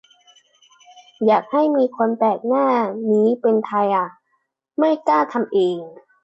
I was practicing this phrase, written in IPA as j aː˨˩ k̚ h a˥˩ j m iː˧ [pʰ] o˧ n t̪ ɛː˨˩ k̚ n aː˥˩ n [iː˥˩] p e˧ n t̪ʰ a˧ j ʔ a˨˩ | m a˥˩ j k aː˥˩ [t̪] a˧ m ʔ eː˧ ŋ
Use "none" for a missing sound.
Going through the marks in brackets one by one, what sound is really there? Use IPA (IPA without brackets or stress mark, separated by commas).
kʰ, iː˦˥, t̪ʰ